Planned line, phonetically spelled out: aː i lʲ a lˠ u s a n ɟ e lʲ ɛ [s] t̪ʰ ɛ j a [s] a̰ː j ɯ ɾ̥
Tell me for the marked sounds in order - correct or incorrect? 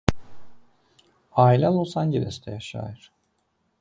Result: correct, incorrect

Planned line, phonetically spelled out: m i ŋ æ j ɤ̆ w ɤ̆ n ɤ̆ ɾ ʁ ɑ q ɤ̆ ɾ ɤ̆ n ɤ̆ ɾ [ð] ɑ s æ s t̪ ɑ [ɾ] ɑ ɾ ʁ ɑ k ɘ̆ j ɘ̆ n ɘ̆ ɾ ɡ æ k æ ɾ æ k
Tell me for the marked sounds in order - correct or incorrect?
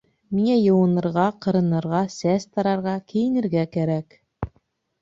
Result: incorrect, correct

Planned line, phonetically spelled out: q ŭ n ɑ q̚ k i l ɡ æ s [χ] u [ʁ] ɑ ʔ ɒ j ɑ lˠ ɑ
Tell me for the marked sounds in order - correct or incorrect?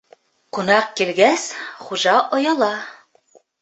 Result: correct, incorrect

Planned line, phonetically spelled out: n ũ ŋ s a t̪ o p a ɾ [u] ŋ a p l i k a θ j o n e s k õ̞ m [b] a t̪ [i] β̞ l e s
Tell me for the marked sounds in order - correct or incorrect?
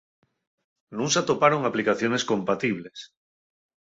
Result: incorrect, incorrect, correct

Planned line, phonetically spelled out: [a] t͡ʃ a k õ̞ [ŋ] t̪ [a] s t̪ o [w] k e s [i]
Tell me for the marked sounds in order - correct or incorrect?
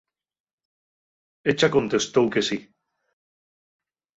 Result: incorrect, incorrect, incorrect, correct, correct

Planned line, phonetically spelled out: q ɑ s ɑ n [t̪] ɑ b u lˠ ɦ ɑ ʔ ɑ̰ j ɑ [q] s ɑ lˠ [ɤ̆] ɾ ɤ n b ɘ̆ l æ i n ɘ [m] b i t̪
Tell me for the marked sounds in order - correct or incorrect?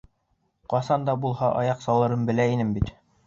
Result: incorrect, correct, correct, correct

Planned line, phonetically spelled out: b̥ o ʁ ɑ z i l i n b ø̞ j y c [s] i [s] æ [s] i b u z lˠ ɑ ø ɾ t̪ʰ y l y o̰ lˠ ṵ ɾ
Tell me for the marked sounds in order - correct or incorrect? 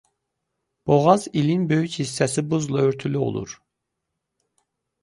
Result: incorrect, incorrect, correct

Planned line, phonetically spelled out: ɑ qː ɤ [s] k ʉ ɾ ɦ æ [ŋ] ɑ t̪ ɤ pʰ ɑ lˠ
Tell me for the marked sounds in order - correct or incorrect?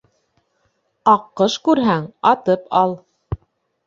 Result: incorrect, correct

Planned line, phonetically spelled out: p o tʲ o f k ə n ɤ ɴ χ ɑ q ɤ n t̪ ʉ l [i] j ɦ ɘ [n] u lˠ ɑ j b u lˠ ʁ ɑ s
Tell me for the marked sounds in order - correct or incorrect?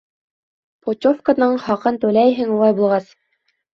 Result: incorrect, incorrect

